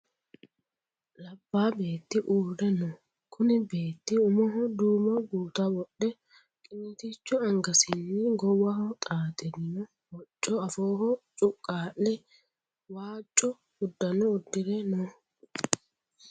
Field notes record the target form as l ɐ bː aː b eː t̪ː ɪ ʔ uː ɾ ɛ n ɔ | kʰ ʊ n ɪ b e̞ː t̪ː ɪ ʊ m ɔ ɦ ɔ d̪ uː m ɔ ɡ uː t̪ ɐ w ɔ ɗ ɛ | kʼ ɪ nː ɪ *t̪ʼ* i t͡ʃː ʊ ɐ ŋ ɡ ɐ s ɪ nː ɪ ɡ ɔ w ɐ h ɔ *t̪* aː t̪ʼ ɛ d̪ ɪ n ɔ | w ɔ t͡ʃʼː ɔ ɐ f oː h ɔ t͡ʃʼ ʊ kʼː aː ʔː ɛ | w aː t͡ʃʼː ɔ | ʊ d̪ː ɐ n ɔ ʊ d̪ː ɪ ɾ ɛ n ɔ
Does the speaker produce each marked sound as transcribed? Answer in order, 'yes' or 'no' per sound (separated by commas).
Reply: no, no